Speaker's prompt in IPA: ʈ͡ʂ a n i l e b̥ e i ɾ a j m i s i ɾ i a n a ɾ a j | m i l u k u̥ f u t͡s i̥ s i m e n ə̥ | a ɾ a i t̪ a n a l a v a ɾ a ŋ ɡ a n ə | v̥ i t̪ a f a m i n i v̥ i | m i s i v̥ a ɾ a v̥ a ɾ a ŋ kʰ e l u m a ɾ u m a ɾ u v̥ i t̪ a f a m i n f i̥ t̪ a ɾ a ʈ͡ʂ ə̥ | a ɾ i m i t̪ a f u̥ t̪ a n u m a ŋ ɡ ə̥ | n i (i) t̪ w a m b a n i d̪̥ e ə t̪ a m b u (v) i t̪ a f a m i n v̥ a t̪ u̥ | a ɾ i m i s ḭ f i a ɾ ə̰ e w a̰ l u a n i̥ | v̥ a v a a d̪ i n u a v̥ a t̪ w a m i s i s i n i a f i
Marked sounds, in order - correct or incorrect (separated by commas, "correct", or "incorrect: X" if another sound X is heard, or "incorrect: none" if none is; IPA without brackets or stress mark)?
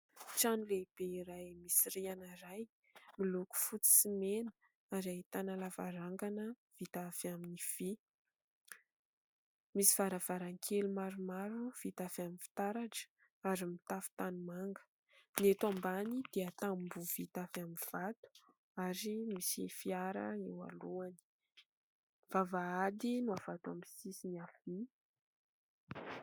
incorrect: e, correct